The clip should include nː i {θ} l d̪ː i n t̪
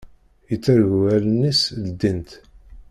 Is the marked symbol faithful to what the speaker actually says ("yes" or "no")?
no